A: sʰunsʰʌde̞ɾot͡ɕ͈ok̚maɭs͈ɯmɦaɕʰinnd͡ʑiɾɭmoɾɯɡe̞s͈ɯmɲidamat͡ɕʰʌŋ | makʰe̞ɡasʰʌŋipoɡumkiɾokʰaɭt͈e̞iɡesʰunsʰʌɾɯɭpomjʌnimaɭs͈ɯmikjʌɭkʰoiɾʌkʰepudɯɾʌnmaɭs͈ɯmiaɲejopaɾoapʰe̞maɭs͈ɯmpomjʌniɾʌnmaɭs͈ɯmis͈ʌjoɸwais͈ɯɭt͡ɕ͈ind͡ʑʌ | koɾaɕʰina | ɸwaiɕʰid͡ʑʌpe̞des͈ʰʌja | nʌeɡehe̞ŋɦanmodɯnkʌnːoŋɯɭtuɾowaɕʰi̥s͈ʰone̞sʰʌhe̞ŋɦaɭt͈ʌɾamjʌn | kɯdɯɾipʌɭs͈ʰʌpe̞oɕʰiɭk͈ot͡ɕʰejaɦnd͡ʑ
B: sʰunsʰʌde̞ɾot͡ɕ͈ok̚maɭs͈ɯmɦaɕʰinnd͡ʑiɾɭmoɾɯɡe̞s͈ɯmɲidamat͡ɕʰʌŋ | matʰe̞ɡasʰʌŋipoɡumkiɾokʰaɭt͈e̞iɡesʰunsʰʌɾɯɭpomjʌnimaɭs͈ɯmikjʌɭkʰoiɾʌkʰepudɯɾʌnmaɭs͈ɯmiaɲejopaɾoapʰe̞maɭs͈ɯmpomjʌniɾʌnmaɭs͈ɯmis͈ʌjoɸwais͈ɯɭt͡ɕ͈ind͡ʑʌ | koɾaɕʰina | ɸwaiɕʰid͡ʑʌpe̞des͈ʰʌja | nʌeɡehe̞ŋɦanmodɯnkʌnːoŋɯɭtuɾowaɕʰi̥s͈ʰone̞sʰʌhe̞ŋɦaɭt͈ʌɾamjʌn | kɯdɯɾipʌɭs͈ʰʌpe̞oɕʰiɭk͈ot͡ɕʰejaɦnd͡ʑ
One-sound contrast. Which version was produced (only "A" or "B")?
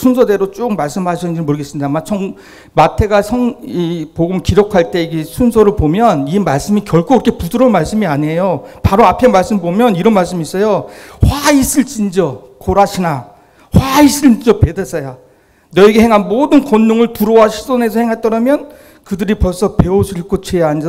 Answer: B